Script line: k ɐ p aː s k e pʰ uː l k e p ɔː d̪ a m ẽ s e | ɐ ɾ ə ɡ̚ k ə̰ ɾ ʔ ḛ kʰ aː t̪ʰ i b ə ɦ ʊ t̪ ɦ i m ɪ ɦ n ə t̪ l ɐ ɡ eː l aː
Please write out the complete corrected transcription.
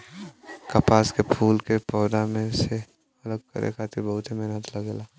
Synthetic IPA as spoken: k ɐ p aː s k e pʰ uː l k e p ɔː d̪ a m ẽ s e | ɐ l ə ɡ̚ k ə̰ ɾ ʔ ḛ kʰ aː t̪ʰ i b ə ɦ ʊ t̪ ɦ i m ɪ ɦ n ə t̪ l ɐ ɡ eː l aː